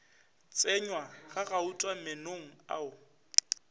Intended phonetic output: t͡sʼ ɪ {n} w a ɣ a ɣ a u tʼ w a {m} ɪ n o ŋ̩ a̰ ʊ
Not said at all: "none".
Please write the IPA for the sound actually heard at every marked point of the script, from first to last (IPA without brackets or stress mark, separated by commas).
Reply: ɲ, m